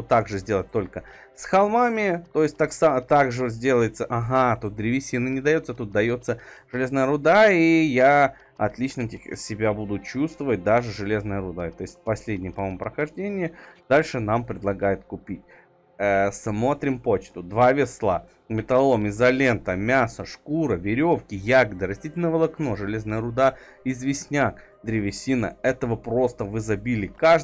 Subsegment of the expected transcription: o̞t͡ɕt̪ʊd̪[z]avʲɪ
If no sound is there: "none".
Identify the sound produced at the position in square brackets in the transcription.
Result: v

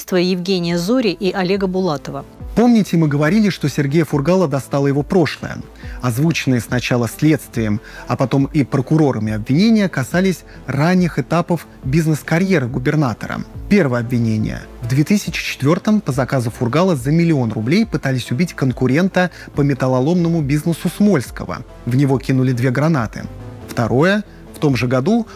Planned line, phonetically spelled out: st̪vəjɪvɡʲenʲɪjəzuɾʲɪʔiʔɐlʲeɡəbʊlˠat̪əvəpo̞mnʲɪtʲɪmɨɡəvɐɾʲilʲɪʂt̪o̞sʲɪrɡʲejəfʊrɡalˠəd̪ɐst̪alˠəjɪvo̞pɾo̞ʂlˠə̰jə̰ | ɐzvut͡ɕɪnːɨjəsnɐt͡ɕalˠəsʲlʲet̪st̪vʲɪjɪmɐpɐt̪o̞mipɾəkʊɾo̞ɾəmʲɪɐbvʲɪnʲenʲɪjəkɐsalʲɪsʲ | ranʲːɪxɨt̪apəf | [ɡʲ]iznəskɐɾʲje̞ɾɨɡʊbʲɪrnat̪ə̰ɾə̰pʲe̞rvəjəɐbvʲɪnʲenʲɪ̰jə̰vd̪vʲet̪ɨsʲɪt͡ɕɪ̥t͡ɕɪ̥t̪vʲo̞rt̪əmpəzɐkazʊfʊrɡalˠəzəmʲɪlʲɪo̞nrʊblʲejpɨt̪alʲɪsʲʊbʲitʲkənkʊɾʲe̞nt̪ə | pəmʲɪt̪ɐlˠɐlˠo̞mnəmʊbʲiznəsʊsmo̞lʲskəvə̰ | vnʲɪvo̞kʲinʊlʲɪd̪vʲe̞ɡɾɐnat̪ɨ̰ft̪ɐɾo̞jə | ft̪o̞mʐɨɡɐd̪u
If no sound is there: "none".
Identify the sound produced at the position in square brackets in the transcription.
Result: bʲ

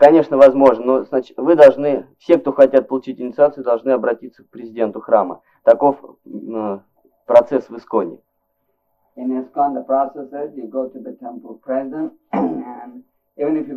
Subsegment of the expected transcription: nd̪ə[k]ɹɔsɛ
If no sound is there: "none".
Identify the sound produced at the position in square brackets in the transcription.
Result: p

